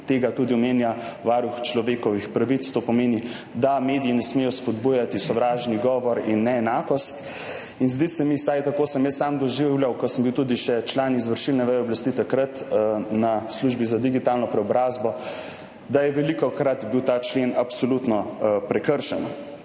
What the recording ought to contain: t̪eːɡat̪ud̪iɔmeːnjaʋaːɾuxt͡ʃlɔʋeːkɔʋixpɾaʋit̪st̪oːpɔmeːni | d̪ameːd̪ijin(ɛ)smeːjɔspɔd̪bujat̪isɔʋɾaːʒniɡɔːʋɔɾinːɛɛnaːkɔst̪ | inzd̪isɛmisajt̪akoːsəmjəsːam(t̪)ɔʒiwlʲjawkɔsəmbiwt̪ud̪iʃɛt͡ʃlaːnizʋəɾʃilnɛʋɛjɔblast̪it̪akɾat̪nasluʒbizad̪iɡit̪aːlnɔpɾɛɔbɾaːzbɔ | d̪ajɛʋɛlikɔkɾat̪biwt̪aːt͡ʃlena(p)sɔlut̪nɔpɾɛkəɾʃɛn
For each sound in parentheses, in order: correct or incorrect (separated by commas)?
correct, incorrect, correct